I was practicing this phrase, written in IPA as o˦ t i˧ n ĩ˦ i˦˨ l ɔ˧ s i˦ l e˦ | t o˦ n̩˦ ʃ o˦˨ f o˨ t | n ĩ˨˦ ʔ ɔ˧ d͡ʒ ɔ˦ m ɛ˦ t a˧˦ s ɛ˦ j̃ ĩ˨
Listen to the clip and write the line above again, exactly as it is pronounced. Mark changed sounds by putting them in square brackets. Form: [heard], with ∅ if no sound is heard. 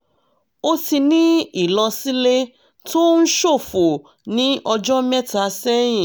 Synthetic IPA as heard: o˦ t i˧ n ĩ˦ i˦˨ l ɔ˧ s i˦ l e˦ | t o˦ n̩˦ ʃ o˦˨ f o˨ [∅] | n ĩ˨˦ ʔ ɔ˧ d͡ʒ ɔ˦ m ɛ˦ t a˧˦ s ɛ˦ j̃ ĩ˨